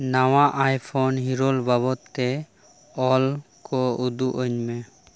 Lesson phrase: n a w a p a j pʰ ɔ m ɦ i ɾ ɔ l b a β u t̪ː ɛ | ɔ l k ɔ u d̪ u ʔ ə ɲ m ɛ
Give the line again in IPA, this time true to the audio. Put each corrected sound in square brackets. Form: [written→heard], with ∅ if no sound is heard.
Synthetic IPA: n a w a [p→ʔ] a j pʰ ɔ [m→n] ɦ i ɾ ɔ l b a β [u→ɔ] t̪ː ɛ | ɔ l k ɔ u d̪ u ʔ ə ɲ m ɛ